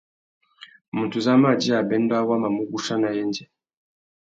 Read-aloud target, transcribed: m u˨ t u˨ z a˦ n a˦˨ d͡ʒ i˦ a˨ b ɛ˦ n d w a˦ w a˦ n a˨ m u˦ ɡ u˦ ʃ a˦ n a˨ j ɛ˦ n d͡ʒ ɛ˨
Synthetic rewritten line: m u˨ t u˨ z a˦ m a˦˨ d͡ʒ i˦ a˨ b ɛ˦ n d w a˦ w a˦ m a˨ m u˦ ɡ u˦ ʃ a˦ n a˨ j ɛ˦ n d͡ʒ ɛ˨